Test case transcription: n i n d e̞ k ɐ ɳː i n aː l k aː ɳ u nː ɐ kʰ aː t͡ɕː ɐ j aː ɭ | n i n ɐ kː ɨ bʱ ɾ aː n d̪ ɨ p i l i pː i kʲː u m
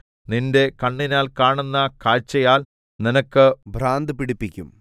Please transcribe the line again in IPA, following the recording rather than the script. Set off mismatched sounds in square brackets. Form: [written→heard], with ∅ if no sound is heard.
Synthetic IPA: n i n d e̞ k ɐ ɳː i n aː l k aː ɳ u nː ɐ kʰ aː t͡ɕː ɐ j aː [ɭ→l] | n i n ɐ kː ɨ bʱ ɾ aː n d̪ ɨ p i [l→ɽ] i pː i kʲː u m

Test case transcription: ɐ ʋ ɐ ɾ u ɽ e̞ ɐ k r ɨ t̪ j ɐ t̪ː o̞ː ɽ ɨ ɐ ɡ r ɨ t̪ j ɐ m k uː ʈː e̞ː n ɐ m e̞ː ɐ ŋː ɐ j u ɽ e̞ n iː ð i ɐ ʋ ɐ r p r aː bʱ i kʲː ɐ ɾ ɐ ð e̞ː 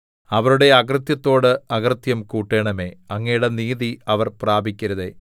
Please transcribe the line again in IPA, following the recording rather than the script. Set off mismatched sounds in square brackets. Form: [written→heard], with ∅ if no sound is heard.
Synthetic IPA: ɐ ʋ ɐ ɾ u ɽ e̞ ɐ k r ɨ t̪ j ɐ t̪ː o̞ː ɽ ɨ ɐ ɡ r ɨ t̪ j ɐ m k uː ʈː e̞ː [n→ɳ] ɐ m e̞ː ɐ ŋː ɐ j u ɽ e̞ n iː ð i ɐ ʋ ɐ r p r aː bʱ i kʲː ɐ ɾ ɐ ð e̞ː

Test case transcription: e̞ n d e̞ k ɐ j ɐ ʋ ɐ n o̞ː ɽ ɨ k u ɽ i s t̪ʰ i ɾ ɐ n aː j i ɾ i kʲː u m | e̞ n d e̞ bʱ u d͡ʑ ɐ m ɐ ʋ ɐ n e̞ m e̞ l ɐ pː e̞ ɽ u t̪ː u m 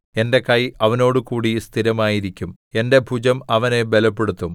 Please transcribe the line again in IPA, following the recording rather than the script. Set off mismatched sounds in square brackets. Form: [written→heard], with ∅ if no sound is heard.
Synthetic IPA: e̞ n d e̞ k ɐ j ɐ ʋ ɐ n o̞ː ɽ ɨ k [u→uː] ɽ i s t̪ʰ i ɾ ɐ [n→m] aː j i ɾ i kʲː u m | e̞ n d e̞ bʱ u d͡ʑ ɐ m ɐ ʋ ɐ n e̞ [m→b] e̞ l ɐ pː e̞ ɽ u t̪ː u m

